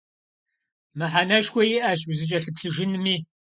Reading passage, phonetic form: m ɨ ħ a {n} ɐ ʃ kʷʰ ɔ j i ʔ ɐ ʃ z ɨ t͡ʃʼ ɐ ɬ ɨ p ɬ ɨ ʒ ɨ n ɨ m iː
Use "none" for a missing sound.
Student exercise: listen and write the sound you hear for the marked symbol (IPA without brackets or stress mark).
n